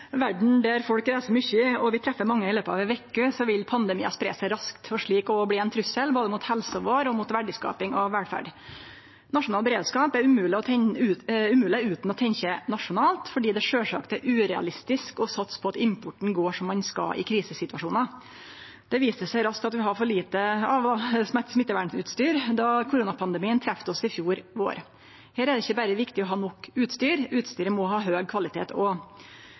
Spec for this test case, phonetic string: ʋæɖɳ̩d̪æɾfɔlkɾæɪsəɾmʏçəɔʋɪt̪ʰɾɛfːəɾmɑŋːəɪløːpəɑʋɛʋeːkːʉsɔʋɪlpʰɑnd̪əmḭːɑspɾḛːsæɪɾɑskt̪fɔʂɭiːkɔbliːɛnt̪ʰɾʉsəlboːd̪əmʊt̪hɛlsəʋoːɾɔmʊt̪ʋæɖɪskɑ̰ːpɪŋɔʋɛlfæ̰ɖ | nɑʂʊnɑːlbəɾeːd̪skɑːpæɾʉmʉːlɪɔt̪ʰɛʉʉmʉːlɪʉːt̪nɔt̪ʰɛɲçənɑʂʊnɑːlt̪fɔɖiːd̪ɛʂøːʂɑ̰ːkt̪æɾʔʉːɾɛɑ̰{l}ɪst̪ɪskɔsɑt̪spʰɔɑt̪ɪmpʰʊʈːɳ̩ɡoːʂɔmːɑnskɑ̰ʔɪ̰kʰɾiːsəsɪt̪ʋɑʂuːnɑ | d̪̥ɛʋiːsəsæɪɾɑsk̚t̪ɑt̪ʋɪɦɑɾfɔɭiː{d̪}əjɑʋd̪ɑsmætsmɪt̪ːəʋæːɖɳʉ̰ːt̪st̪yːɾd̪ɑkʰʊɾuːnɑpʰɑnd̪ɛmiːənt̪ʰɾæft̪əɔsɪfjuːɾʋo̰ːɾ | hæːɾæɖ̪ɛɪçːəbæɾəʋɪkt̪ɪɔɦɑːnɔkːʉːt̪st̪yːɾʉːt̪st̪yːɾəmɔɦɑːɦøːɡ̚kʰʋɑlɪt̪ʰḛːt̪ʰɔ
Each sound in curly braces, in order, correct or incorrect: correct, incorrect

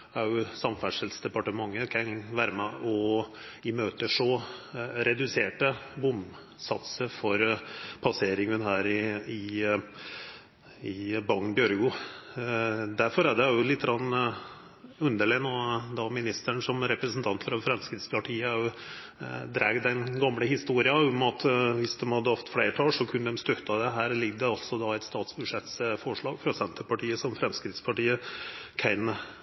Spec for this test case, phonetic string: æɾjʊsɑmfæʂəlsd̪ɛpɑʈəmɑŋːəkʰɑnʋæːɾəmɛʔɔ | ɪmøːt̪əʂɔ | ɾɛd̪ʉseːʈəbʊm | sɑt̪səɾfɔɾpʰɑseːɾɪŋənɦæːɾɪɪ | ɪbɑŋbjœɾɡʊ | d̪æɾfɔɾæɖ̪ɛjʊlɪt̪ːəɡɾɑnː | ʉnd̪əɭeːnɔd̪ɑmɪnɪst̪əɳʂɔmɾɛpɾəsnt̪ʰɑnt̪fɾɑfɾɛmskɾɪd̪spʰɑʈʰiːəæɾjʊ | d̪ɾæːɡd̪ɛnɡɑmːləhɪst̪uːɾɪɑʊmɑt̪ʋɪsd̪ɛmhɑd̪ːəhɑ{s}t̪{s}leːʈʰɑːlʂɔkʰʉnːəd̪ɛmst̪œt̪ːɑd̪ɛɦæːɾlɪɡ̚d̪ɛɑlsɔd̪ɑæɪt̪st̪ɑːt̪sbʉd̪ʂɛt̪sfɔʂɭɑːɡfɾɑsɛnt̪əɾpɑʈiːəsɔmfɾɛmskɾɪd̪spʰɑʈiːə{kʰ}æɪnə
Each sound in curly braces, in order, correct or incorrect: incorrect, incorrect, correct

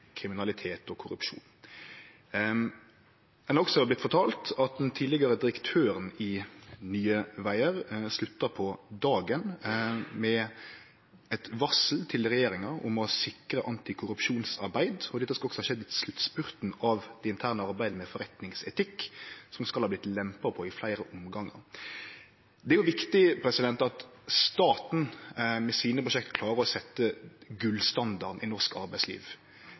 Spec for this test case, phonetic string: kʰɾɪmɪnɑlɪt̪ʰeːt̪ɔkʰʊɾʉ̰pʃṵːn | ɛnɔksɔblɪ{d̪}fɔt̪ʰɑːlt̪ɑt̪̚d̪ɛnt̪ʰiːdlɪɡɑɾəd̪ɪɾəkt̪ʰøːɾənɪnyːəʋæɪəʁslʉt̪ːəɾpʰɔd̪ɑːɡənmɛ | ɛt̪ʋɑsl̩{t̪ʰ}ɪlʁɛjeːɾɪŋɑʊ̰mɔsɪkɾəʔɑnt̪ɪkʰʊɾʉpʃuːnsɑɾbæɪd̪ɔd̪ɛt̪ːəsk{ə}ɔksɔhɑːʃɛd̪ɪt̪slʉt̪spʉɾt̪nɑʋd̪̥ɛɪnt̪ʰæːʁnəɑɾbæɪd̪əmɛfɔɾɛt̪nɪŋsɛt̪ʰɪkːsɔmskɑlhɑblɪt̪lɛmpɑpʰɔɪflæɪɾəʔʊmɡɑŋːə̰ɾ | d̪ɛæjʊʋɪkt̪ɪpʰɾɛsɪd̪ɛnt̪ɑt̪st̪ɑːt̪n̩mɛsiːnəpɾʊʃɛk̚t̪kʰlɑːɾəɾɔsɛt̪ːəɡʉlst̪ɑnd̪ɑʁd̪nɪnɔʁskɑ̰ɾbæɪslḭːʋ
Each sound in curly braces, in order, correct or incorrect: incorrect, correct, incorrect

